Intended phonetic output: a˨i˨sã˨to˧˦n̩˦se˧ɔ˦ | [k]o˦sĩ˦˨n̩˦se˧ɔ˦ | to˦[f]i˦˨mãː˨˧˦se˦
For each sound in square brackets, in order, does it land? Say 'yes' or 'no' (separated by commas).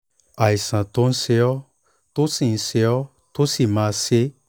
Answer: no, no